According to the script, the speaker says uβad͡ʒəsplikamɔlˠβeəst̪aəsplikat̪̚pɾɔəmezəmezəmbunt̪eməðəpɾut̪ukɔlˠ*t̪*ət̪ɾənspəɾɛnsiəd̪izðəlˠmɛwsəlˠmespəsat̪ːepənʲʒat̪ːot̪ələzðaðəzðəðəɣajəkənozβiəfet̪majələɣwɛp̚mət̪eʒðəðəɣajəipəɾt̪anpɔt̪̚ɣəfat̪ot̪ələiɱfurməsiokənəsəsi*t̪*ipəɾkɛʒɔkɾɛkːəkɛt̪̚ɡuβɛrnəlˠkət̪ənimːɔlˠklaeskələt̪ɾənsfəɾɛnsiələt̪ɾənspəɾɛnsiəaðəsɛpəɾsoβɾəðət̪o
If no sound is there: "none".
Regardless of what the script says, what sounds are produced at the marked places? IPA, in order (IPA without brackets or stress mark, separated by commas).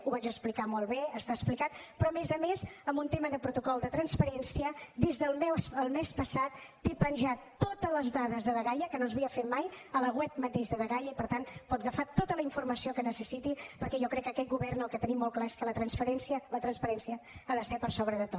d̪, t̪